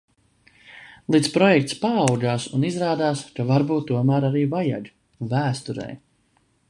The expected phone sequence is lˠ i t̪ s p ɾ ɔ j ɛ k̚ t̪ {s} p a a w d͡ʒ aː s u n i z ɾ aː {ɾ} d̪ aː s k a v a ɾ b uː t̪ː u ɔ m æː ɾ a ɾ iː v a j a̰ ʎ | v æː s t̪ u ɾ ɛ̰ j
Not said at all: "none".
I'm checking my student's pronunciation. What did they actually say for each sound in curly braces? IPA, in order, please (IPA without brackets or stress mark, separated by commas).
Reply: s, none